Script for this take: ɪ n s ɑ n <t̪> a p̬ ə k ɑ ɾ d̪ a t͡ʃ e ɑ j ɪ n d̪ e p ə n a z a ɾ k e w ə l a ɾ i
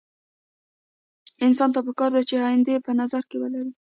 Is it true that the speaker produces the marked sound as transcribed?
yes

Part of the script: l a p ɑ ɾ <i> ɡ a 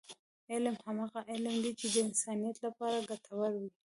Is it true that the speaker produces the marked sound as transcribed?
no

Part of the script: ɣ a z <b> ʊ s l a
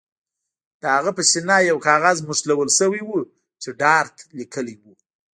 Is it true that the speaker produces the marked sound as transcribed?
no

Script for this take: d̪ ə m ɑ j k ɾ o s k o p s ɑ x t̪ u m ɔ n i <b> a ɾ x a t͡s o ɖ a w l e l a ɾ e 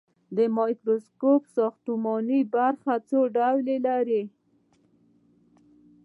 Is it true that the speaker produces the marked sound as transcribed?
yes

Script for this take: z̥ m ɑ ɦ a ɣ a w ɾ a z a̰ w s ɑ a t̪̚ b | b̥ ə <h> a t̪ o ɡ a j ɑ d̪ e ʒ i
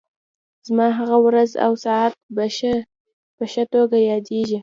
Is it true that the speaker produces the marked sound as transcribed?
no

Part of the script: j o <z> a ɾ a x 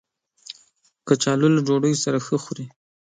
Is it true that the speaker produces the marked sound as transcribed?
no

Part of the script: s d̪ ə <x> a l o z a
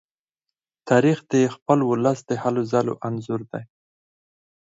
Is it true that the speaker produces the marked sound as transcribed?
no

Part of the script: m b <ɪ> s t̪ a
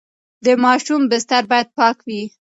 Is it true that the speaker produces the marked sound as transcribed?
yes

